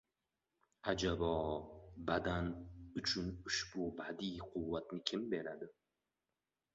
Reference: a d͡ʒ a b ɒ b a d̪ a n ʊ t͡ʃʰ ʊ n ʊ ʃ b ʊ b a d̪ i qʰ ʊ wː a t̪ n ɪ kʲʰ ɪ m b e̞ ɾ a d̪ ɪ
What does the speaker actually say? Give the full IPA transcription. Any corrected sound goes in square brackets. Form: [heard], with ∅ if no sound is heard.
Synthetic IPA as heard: a d͡ʒ a b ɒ b a d̪ a n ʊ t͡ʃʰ ʊ n ʊ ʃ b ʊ b a d̪ i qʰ ʊ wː a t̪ n ɪ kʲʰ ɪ m b e̞ ɾ a d̪ ɪ